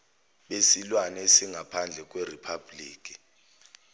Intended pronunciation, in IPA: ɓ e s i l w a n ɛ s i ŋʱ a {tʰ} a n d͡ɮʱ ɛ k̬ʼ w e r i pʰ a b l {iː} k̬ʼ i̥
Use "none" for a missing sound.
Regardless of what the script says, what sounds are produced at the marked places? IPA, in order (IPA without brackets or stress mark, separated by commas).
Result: pʰ, iː